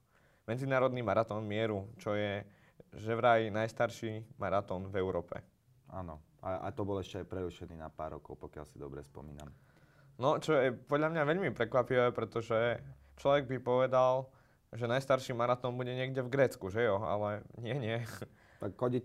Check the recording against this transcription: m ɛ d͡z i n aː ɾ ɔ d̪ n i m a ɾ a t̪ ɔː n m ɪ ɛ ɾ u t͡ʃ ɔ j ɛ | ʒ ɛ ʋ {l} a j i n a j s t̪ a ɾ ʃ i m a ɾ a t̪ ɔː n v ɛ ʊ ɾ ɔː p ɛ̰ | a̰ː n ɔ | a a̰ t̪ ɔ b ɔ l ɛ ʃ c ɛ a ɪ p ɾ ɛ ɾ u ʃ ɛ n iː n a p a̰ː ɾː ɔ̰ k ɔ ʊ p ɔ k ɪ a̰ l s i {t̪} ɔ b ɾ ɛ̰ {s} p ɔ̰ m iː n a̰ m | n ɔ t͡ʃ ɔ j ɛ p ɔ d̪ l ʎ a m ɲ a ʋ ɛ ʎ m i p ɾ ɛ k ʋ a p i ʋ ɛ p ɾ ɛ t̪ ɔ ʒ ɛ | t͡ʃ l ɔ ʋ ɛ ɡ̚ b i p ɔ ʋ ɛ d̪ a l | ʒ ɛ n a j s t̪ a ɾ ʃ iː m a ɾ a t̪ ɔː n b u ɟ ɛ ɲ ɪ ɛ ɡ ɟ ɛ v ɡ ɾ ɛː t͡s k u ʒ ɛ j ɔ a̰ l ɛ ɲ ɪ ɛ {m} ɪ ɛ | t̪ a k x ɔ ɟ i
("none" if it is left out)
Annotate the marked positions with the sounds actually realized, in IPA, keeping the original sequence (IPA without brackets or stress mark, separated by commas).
ɾ, d̪, s, ɲ